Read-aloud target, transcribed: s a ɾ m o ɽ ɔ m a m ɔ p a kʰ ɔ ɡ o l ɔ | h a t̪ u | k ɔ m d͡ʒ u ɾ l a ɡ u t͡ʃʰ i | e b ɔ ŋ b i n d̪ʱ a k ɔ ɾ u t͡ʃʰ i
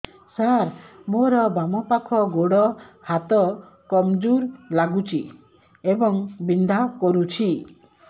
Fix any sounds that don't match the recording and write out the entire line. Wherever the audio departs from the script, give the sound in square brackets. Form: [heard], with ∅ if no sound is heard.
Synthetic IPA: s a ɾ m o [ɾ] ɔ [b] a m ɔ p a kʰ ɔ ɡ o [ɽ] ɔ | h a t̪ [ɔ] | k ɔ m d͡ʒ u ɾ l a ɡ u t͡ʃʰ i | e b ɔ ŋ b i n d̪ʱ a k ɔ ɾ u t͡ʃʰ i